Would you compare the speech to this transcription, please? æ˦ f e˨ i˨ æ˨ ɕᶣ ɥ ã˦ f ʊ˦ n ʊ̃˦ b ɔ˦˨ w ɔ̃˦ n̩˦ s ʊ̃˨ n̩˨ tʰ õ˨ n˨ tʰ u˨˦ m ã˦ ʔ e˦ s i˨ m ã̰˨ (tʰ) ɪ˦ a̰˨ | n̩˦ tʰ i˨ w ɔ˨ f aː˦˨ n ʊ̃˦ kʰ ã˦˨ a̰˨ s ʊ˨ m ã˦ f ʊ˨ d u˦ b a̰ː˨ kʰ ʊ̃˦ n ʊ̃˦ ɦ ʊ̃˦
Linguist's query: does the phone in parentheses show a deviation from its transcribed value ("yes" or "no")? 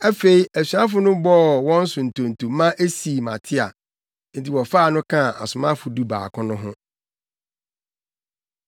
no